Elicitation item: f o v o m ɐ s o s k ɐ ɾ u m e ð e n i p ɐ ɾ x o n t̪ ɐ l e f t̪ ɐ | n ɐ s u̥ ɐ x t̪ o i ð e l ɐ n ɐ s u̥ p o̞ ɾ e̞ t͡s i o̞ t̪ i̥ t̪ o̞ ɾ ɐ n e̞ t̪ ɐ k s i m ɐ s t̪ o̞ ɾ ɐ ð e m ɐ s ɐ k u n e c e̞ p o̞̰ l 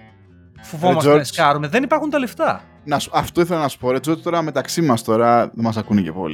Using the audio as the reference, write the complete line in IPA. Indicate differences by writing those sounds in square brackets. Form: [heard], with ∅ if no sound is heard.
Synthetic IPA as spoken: f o v o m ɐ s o s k ɐ ɾ u m e ð e n i p ɐ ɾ x [u] n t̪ ɐ l e f t̪ ɐ | n ɐ s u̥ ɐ [f] t̪ o i [θ] e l ɐ n ɐ s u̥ p o̞ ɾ e̞ t͡s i o̞ t̪ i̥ t̪ o̞ ɾ ɐ [m] e̞ t̪ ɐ k s i m ɐ s t̪ o̞ ɾ ɐ ð e m ɐ s ɐ k u n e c e̞ p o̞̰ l